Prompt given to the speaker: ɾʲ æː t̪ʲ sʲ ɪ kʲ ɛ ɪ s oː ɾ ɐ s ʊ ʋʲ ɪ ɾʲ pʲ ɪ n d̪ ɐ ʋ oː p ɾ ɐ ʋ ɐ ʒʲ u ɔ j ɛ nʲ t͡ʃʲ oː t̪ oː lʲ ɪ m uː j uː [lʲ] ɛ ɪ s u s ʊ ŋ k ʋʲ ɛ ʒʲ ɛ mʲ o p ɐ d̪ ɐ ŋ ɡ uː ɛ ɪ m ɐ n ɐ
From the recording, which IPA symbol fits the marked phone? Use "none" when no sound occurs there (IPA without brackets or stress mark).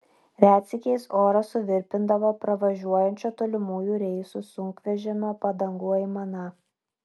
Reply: ɾʲ